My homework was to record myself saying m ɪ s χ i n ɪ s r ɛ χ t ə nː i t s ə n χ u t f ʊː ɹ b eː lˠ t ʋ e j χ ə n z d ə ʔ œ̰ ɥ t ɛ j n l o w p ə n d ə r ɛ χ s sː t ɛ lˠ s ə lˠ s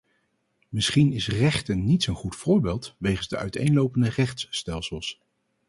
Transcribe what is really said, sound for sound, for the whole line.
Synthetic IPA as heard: m ɪ s χ i n ɪ s r ɛ χ t ə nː i t s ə n χ u t f ʊː ɹ b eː lˠ t ʋ e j χ ə n z d ə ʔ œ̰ ɥ t e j n l o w p ə n d ə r ɛ χ t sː t ɛ lˠ s ə lˠ s